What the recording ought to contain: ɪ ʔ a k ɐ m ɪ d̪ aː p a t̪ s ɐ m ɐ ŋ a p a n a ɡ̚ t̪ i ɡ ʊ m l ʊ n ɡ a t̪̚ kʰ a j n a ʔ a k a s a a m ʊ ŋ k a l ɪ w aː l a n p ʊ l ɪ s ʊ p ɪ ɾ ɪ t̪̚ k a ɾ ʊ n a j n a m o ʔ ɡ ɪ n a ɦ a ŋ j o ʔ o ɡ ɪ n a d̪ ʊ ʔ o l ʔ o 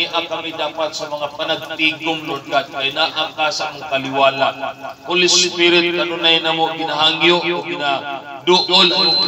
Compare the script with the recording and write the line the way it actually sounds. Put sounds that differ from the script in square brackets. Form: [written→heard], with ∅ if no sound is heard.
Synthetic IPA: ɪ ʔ a k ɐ m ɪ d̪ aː p a t̪ s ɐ m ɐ ŋ a p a n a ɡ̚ t̪ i ɡ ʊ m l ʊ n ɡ a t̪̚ [kʰ→k] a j n a ʔ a k a s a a m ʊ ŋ k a l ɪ w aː l a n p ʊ l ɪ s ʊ p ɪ ɾ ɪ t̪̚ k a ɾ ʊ n a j n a m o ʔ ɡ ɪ n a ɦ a ŋ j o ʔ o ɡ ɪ n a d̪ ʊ ʔ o l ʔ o